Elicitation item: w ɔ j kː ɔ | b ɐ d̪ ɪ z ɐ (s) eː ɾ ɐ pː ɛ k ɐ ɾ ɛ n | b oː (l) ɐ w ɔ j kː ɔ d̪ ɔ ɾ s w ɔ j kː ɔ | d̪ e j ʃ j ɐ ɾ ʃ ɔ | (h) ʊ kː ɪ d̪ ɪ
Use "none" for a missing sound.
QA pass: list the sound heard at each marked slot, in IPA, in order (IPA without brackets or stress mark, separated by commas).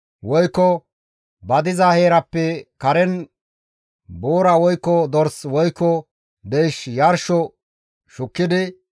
h, ɾ, ʃ